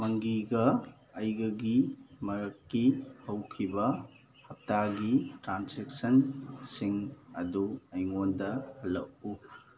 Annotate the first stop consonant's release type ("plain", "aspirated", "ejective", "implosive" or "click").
plain